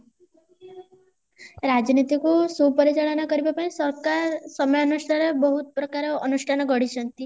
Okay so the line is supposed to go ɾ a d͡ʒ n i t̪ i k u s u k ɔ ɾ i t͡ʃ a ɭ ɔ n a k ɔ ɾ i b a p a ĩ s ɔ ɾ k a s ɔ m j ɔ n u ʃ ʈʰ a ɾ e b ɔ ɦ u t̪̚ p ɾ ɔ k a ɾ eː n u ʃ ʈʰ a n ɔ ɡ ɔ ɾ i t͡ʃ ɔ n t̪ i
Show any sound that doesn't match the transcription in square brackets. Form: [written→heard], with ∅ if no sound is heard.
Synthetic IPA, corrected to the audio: ɾ a d͡ʒ n i t̪ i k u s u [k→p] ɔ ɾ i t͡ʃ a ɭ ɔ n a k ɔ ɾ i b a p a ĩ s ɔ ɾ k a s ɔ m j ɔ n u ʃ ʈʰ a ɾ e b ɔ ɦ u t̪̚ p ɾ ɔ k a ɾ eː n u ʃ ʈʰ a n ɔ ɡ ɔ [ɾ→ɽ] i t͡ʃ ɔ n t̪ i